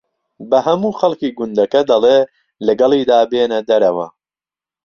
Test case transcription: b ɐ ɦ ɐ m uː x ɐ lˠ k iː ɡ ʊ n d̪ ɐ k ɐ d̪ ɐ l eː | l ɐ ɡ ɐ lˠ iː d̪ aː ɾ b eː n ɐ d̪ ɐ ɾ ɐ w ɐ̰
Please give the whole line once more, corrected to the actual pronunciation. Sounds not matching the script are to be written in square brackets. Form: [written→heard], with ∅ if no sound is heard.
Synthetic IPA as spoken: b ɐ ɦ ɐ m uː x ɐ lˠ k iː ɡ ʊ n d̪ ɐ k ɐ d̪ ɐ l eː | l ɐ ɡ ɐ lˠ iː d̪ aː [ɾ→∅] b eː n ɐ d̪ ɐ ɾ ɐ w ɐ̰